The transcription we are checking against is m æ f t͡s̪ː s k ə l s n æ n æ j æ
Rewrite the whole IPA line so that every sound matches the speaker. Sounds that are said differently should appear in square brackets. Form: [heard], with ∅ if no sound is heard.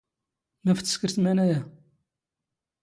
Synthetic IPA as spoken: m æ f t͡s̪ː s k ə [ɾ] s [m] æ n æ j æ